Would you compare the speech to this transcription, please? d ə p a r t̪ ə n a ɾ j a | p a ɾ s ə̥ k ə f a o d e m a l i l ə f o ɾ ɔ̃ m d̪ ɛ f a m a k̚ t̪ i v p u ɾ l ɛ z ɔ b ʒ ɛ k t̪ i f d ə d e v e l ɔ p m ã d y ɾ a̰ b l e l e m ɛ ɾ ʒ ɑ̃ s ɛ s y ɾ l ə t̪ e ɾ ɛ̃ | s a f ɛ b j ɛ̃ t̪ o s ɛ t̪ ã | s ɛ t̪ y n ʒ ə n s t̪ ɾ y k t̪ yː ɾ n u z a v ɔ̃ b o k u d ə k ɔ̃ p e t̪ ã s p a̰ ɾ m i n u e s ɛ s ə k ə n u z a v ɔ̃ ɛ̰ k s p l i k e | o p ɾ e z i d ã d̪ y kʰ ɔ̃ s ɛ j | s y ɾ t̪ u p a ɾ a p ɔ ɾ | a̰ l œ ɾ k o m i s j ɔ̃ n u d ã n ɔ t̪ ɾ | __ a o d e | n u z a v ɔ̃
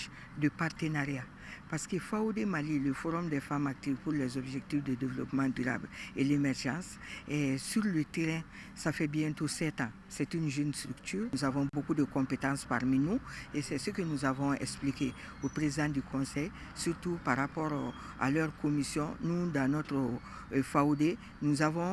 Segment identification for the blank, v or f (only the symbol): f